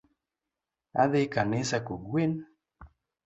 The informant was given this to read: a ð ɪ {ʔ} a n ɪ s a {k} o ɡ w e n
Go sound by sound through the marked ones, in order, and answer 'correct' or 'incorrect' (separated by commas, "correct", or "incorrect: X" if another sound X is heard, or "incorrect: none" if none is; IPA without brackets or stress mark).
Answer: incorrect: k, correct